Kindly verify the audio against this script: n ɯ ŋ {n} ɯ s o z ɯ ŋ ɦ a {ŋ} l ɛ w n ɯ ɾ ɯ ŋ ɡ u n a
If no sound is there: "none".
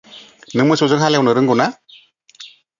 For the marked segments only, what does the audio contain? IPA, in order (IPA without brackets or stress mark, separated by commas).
m, none